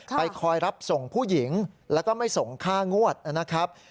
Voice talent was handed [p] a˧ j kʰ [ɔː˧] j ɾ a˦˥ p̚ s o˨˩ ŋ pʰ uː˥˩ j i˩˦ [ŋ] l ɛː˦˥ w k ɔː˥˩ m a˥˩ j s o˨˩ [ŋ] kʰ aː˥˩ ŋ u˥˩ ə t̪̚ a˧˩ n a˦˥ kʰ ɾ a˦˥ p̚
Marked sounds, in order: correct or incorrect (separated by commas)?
correct, correct, correct, correct